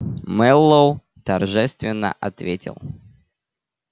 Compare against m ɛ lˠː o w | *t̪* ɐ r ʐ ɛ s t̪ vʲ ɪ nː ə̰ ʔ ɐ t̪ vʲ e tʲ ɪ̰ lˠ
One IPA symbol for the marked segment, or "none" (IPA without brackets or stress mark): t̪